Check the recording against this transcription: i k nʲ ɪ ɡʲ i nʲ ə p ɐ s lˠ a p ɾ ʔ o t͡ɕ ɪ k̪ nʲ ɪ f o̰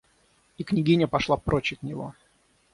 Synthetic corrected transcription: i k nʲ ɪ ɡʲ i nʲ ə p ɐ ʂ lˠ a p ɾ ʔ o t͡ɕ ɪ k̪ nʲ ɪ v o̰